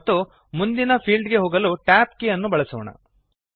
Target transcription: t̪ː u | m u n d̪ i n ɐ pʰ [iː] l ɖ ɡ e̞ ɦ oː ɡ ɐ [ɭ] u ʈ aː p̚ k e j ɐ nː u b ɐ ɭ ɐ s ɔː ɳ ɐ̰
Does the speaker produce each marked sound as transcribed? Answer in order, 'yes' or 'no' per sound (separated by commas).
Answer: yes, no